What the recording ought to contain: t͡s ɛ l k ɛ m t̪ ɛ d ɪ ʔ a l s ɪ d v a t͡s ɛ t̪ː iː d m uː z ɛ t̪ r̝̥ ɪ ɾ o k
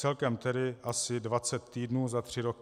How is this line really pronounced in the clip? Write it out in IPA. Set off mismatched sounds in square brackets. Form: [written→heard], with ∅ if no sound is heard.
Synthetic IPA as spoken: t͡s ɛ l k ɛ m t̪ ɛ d ɪ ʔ a [l→∅] s ɪ d v a t͡s ɛ t̪ː iː d [m→n] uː z [ɛ→a] t̪ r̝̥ ɪ ɾ o k